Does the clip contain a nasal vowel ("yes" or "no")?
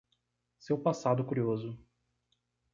no